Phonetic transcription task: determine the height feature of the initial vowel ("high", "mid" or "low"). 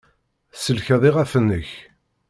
mid